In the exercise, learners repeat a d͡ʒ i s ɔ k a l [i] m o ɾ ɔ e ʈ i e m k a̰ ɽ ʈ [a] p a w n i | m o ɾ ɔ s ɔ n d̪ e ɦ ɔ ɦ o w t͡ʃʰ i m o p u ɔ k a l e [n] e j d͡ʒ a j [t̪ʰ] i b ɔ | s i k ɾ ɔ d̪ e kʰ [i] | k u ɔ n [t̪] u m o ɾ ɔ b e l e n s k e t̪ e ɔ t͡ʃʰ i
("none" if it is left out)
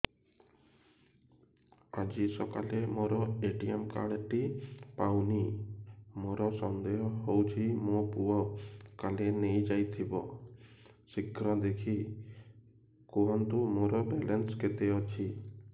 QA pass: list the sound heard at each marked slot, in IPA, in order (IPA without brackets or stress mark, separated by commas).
e, i, n, t̪ʰ, i, t̪